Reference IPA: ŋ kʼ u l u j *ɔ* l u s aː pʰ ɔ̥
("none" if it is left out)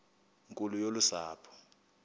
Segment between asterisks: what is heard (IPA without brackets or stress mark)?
o